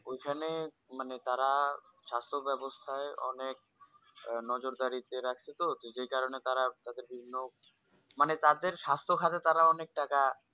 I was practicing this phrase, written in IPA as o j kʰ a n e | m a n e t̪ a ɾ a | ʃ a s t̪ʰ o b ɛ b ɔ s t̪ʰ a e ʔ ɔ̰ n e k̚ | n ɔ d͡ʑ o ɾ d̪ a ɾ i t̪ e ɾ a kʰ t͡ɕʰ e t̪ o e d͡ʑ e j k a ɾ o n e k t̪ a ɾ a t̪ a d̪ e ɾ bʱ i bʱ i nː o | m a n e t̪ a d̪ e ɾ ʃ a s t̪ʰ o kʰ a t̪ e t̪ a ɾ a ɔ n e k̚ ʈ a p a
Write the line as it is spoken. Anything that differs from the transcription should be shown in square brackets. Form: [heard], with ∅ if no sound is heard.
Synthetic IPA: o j kʰ a n e | m a n e t̪ a ɾ a | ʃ a s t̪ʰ o b ɛ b [o] s t̪ʰ a e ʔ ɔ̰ n e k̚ | n ɔ d͡ʑ o ɾ d̪ a ɾ i t̪ e ɾ a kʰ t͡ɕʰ e t̪ o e d͡ʑ e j k a ɾ o n e [∅] t̪ a ɾ a t̪ a d̪ e ɾ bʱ i bʱ i nː o | m a n e t̪ a d̪ e ɾ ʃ a s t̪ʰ o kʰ a t̪ e t̪ a ɾ a ɔ n e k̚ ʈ a [k] a